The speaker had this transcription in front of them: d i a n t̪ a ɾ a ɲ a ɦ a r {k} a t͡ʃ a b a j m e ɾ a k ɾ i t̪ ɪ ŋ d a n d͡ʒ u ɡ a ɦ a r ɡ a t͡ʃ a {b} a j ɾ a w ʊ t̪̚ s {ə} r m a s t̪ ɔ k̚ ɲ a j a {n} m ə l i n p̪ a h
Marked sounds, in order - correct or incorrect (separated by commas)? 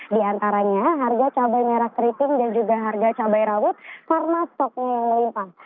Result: incorrect, correct, incorrect, incorrect